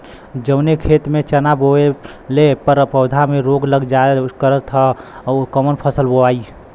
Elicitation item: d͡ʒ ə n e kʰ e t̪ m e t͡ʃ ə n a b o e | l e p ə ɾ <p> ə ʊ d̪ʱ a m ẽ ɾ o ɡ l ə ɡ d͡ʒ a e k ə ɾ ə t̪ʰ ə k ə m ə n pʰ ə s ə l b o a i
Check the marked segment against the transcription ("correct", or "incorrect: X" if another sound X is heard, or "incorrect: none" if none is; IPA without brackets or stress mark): correct